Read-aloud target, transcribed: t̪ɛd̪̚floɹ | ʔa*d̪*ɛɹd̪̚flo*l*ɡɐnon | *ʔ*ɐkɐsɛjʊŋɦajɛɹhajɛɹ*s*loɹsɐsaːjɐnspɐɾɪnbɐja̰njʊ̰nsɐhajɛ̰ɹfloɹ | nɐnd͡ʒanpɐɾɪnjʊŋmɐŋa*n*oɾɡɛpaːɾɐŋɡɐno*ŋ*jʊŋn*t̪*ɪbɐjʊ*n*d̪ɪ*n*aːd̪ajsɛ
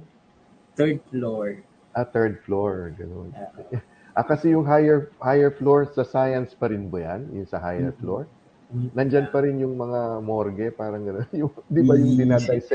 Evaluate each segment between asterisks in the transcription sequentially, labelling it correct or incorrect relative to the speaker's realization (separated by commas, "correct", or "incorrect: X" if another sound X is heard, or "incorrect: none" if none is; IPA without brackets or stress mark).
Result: incorrect: t̪, incorrect: ɹ, correct, incorrect: f, incorrect: m, incorrect: n, incorrect: d̪, incorrect: ŋ, correct